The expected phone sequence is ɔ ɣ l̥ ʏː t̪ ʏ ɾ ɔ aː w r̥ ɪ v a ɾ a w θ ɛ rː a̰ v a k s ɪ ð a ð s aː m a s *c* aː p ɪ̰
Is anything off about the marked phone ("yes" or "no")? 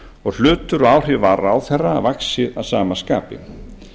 yes